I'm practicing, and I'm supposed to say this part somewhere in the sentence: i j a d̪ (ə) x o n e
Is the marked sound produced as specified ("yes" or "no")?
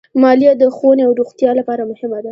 yes